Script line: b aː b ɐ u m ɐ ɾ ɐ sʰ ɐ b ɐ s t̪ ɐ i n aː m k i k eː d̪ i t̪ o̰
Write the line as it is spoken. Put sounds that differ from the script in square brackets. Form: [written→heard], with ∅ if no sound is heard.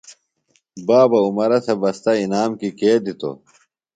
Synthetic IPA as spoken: b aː b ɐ u m ɐ ɾ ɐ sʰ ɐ b ɐ s t̪ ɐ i n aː m k i k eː d̪ i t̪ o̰